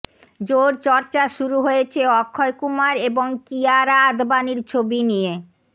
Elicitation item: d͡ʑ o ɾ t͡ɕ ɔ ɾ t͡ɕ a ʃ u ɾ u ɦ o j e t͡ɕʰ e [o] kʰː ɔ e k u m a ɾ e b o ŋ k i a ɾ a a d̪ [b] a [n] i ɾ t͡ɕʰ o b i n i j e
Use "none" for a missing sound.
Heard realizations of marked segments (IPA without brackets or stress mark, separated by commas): ɔ, b, n